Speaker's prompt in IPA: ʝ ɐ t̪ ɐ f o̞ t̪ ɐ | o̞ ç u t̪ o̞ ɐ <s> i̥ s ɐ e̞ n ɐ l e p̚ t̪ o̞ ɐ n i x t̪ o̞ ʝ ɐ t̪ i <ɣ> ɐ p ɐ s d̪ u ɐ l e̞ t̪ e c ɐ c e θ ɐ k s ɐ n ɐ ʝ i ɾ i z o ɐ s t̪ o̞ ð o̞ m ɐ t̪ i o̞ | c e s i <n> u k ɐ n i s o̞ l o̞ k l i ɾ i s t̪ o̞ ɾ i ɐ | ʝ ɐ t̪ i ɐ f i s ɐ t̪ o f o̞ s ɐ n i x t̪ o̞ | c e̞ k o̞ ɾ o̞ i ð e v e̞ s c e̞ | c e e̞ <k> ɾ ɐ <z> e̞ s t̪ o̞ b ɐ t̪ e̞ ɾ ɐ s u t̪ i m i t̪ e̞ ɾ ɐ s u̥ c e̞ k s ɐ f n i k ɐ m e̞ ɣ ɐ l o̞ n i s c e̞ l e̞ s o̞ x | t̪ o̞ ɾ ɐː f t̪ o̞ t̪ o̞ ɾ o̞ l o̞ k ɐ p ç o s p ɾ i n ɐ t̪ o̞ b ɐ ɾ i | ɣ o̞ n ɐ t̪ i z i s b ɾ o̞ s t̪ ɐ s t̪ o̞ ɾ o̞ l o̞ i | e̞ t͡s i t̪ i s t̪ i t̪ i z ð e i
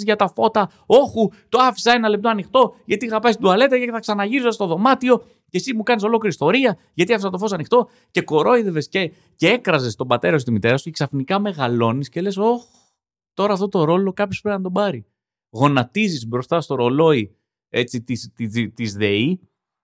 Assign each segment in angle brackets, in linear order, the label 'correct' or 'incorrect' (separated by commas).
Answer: incorrect, correct, incorrect, correct, correct